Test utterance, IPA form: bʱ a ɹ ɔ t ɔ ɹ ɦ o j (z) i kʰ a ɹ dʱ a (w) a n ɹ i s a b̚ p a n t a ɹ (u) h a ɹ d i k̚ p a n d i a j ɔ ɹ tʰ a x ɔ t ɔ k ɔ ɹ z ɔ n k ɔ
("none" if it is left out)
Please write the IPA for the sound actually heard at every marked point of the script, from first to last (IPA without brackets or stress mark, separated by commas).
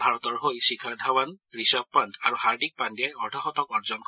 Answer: s, w, u